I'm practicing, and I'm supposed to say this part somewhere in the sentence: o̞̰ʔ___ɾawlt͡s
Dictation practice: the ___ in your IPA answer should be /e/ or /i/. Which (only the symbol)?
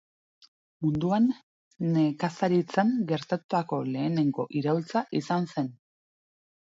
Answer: i